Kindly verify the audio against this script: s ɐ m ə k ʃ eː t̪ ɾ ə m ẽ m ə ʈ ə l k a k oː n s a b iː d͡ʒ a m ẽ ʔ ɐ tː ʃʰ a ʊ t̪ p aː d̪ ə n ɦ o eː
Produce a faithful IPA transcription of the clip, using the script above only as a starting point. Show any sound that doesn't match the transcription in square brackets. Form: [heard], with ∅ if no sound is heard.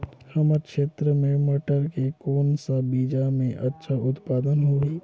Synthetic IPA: [h] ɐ m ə k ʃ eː t̪ ɾ ə m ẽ m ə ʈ ə [ɾ] k [e] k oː n s a b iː d͡ʒ a m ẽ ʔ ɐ tː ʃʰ a ʊ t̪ p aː d̪ ə n ɦ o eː